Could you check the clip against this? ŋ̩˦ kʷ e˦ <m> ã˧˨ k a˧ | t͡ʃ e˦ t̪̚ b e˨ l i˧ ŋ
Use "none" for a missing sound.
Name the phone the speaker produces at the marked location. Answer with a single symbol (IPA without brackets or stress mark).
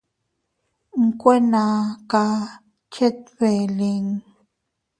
n